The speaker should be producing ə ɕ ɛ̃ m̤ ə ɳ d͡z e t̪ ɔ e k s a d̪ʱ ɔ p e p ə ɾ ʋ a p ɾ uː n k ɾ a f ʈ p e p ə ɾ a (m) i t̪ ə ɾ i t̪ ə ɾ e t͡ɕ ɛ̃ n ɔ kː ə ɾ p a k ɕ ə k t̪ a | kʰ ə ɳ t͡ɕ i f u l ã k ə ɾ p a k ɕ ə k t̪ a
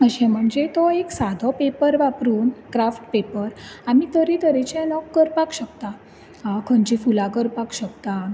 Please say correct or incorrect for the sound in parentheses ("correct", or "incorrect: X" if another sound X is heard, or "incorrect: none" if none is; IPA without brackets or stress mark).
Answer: correct